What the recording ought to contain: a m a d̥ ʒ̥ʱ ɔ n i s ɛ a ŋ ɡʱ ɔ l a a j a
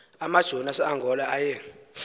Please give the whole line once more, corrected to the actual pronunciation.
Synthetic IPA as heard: a m a d̥ ʒ̥ʱ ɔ n a s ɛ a ŋ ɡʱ ɔ l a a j ɛ